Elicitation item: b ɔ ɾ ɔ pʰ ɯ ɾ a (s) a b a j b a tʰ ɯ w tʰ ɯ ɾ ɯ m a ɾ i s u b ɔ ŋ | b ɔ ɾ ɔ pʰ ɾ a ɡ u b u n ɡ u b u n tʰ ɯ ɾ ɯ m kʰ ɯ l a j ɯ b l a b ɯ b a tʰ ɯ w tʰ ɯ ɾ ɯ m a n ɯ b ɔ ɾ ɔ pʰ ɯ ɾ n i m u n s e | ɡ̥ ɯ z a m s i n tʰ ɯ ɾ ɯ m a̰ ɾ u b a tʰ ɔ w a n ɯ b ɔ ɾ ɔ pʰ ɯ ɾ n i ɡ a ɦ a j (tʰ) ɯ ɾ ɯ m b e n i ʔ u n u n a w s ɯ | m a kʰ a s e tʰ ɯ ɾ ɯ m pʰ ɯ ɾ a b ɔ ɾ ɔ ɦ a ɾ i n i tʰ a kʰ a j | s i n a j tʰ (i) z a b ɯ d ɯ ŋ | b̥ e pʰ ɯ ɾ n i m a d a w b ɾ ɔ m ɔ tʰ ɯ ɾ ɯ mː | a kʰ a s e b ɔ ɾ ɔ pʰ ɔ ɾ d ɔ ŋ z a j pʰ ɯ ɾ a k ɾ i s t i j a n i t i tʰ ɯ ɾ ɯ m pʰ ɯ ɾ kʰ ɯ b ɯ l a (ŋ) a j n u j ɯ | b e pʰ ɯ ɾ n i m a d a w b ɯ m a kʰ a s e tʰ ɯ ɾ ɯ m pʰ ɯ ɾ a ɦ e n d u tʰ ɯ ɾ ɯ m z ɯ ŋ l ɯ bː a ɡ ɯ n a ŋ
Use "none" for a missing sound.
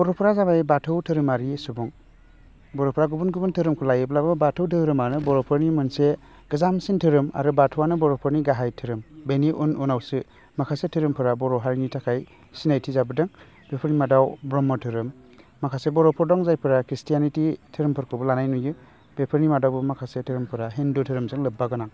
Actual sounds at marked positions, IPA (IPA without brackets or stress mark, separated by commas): z, tʰ, i, n